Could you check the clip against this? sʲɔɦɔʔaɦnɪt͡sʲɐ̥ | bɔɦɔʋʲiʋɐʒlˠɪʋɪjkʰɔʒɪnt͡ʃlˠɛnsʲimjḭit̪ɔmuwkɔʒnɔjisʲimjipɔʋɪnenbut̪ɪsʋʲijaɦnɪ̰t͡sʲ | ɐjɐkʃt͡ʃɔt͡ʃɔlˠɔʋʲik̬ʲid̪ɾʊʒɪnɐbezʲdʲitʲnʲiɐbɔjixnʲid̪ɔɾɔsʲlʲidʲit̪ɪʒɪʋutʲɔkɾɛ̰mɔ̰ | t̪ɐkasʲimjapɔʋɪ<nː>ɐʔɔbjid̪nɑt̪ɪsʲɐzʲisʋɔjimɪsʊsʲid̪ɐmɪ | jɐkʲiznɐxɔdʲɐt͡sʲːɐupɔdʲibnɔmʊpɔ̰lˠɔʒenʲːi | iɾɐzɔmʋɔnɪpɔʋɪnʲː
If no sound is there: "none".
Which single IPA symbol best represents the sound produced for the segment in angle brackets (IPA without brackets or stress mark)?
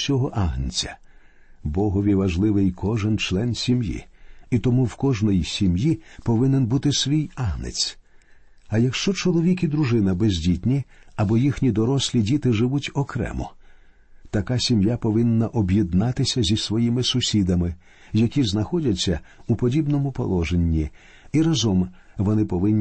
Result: nː